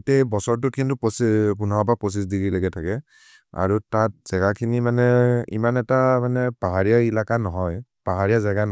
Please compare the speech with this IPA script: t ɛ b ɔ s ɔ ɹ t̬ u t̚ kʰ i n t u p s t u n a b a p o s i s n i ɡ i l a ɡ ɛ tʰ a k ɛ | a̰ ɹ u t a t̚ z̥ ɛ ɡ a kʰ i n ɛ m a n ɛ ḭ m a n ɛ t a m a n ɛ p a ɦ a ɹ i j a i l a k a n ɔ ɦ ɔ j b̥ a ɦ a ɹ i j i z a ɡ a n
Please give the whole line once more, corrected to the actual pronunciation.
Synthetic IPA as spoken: t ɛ b ɔ s ɔ ɹ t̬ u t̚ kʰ i n t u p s p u n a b a p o s i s d i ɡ i l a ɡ ɛ tʰ a k ɛ | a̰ ɹ u t a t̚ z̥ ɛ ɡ a kʰ i n i m a n ɛ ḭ m a n ɛ t a m a n ɛ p a ɦ a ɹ i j a i l a k a n ɔ ɦ ɔ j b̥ a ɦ a ɹ i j a z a ɡ a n